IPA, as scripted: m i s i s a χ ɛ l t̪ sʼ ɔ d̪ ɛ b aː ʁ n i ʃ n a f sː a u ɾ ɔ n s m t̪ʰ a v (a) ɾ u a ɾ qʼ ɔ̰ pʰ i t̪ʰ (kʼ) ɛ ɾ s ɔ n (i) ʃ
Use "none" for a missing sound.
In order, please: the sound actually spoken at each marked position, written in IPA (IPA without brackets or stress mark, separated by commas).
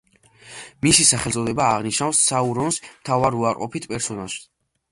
a, pʼ, a